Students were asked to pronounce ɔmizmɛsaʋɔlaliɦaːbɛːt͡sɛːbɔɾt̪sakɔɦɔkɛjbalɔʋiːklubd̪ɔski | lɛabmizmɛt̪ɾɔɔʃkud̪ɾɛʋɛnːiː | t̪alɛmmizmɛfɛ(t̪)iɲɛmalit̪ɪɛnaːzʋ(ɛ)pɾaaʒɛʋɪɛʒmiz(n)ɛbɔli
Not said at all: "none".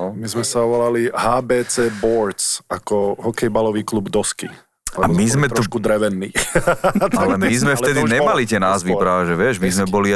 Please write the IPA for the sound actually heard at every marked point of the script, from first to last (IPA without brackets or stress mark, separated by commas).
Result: d̪, i, m